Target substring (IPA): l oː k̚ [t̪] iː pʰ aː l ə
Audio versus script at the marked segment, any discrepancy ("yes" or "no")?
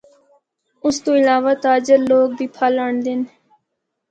yes